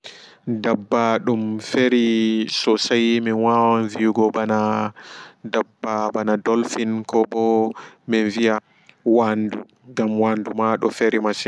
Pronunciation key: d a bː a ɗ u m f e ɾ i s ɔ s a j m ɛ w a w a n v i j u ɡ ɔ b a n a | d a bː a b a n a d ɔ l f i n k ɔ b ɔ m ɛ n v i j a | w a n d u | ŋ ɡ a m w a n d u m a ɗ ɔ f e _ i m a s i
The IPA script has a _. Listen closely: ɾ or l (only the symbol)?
ɾ